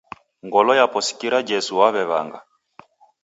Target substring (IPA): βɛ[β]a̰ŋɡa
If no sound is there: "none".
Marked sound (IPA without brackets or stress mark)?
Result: β